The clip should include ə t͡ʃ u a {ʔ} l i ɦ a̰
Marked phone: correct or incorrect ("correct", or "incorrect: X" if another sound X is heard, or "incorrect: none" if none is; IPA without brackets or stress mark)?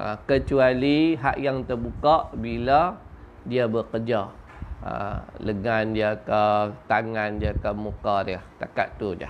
incorrect: none